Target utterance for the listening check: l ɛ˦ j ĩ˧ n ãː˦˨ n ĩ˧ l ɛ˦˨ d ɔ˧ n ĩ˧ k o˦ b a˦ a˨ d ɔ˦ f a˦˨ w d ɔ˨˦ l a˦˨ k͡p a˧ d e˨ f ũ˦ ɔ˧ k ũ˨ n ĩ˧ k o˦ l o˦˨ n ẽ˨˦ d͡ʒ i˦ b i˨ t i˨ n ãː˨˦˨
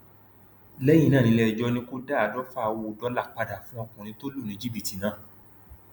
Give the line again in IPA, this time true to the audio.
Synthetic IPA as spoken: l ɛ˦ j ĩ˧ n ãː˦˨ n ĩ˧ l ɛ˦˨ d͡ʒ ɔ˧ n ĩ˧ k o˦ d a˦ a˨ d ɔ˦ f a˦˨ w d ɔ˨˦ l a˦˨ k͡p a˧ d a˨ f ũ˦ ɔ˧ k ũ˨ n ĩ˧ t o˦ l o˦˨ n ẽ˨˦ d͡ʒ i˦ b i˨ t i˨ n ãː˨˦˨

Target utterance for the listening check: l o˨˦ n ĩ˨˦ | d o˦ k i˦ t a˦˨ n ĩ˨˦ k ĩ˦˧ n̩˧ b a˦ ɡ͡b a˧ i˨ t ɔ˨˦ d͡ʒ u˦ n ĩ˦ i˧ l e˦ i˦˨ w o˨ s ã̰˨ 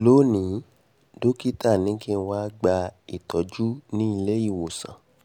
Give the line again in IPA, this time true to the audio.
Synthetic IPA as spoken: l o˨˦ n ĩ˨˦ | d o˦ k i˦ t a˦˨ n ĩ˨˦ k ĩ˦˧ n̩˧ w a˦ ɡ͡b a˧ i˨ t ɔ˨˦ d͡ʒ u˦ n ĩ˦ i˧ l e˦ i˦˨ w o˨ s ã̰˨

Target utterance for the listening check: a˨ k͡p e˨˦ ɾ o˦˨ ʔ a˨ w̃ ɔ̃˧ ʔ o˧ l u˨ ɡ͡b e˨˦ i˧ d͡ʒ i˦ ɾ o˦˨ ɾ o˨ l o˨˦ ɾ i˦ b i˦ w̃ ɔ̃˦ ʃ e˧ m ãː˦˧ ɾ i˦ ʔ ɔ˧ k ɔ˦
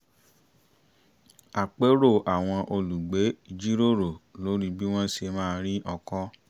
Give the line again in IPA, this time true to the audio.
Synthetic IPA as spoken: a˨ k͡p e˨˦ ɾ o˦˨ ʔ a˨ w̃ ɔ̃˧ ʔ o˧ l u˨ ɡ͡b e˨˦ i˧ d͡ʒ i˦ ɾ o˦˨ ɾ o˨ l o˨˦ ɾ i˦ b i˦ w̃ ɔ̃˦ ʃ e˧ m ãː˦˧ ɾ i˦ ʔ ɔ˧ k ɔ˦

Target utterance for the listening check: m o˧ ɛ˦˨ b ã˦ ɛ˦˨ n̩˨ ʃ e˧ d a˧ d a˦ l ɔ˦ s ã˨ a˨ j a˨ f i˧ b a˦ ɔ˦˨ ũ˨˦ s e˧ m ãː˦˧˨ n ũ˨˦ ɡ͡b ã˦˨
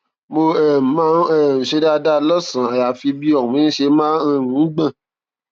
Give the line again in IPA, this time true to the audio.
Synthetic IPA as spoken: m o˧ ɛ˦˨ m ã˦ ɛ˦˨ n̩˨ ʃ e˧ d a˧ d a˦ l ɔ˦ s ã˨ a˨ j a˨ f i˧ b i˦ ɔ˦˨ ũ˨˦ ʃ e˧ m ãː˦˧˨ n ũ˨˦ ɡ͡b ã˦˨

